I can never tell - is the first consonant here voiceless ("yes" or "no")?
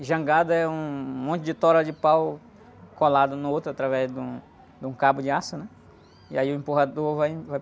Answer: no